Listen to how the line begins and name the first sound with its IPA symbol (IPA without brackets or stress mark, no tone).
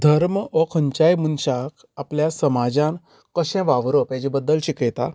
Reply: d̪ʱ